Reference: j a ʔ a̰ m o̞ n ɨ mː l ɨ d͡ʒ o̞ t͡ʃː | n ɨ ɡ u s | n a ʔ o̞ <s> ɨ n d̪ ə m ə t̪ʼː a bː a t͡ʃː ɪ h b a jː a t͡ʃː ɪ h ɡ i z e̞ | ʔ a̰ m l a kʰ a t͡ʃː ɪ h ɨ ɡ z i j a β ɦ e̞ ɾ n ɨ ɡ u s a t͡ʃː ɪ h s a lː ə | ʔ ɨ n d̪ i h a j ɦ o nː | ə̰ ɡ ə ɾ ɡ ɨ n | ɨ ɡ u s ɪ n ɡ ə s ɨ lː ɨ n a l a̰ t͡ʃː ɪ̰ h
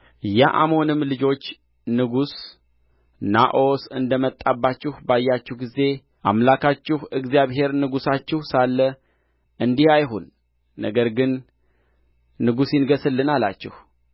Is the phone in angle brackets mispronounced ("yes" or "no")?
no